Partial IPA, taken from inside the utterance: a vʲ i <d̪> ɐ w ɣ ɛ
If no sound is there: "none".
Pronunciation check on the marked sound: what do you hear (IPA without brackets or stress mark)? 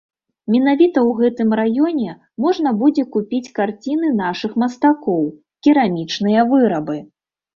t̪